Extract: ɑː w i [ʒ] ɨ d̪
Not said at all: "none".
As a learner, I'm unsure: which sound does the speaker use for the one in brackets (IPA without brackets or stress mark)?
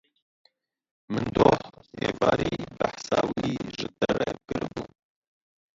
ʒ